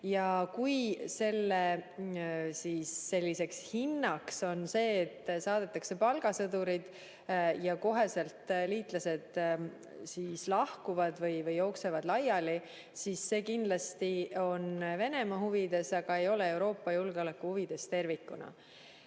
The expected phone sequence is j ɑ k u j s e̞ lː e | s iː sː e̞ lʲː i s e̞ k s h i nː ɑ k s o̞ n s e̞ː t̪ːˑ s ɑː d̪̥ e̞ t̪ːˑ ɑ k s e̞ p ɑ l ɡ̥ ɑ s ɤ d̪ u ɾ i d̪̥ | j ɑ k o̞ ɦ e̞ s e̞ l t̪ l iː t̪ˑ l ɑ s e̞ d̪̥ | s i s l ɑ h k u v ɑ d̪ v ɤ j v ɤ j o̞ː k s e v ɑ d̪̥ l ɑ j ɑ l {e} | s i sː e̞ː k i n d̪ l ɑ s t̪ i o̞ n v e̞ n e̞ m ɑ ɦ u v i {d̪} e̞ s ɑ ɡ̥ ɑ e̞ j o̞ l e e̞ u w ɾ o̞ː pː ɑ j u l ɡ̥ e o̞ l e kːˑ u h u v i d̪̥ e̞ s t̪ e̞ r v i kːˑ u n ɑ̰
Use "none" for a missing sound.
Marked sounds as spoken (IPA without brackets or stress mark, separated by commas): i, d̪